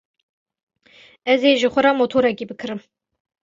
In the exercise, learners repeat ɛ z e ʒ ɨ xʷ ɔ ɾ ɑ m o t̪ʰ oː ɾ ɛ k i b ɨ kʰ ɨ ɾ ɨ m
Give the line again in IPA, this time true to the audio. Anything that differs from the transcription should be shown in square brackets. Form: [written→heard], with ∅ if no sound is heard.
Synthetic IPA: ɛ z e ʒ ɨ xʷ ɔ ɾ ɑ m o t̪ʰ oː ɾ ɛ k i b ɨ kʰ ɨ ɾ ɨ m